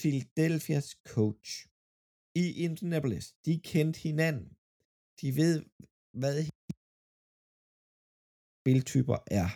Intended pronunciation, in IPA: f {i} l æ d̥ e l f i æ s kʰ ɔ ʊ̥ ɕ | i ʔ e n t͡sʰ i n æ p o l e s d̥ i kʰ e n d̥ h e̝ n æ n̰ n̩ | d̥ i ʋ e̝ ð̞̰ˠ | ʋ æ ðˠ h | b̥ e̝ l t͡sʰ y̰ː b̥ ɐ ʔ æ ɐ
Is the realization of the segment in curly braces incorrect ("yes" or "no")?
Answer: no